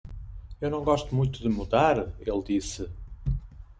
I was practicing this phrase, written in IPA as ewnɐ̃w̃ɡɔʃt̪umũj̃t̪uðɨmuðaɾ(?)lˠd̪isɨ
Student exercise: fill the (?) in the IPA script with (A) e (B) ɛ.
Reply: A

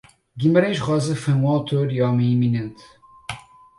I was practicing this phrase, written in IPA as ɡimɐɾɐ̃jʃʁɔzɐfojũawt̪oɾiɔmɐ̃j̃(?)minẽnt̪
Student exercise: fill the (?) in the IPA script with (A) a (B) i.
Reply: B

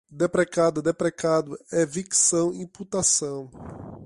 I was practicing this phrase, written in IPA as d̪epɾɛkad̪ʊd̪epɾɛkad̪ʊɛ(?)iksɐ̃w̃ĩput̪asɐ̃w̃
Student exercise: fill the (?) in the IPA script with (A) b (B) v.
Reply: B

